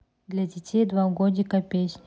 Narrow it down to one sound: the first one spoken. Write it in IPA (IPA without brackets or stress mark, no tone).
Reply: d̪